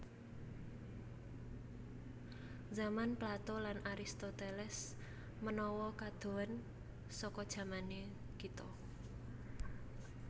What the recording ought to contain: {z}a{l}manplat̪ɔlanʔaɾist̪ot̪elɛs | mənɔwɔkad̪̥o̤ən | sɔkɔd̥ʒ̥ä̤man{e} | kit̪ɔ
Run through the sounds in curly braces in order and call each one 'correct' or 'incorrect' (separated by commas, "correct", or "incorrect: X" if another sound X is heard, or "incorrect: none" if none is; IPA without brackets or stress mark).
correct, incorrect: none, correct